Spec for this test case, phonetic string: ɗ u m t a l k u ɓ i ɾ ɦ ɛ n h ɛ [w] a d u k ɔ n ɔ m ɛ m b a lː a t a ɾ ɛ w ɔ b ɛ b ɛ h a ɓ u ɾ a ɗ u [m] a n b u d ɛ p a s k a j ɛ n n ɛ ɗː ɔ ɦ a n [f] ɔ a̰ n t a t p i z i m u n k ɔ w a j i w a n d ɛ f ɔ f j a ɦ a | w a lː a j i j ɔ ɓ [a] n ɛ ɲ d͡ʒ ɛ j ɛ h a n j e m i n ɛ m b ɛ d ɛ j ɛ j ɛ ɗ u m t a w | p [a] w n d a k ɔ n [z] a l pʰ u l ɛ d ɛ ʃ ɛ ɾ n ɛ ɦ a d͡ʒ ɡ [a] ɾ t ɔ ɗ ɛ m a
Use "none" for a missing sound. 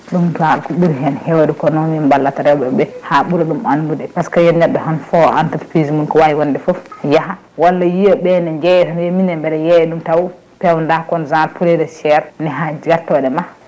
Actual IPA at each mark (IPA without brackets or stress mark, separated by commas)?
w, m, f, ɛ, ɛ, z, a